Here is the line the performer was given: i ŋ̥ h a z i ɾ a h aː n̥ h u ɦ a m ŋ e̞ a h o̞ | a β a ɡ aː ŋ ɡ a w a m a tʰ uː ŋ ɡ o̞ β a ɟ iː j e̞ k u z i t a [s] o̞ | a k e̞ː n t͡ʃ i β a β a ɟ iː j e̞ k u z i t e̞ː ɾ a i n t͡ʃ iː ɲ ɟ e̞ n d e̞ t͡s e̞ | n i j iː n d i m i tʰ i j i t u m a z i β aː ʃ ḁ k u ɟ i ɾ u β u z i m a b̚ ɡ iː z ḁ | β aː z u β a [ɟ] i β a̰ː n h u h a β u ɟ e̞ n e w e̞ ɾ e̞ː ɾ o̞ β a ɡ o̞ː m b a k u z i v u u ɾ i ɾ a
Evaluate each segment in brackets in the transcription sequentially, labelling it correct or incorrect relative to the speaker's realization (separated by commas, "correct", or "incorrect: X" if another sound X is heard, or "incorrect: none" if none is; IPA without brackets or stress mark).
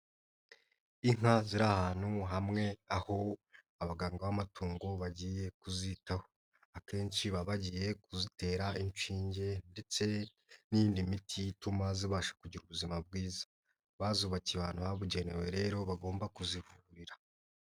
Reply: incorrect: h, incorrect: c